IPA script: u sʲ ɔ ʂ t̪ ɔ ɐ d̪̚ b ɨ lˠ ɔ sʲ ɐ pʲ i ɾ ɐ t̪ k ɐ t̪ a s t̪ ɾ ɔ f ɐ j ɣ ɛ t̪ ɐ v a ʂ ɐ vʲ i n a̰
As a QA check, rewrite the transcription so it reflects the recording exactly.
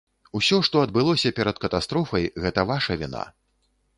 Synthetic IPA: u sʲ ɔ ʂ t̪ ɔ ɐ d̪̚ b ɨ lˠ ɔ sʲ ɐ pʲ ɛ ɾ ɐ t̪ k ɐ t̪ a s t̪ ɾ ɔ f ɐ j ɣ ɛ t̪ ɐ v a ʂ ɐ vʲ i n a̰